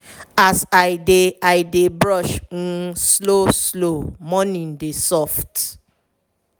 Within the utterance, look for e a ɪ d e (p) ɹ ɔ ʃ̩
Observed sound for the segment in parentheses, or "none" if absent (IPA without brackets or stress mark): b